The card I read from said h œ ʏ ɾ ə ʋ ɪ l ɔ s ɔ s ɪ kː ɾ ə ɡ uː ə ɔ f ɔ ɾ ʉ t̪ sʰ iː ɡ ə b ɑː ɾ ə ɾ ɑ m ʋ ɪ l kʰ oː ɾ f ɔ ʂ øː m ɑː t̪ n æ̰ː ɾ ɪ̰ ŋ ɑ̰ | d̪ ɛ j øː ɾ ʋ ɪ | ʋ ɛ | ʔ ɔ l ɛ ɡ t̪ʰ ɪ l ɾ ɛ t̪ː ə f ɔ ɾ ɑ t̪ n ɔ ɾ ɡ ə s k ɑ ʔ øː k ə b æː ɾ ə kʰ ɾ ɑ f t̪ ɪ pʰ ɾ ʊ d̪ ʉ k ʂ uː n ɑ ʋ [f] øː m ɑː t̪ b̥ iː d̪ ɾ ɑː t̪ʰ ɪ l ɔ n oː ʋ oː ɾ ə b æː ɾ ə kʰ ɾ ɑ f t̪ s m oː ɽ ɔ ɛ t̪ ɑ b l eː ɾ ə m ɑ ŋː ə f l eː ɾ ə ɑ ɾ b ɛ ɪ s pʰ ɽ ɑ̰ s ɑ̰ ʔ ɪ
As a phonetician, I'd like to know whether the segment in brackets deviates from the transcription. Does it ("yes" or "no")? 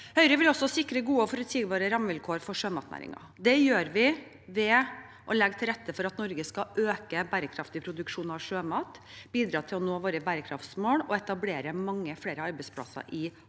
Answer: yes